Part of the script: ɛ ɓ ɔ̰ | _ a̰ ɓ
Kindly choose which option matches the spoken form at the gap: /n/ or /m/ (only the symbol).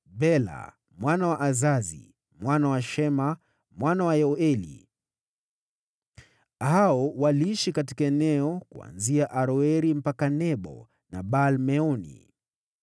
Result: n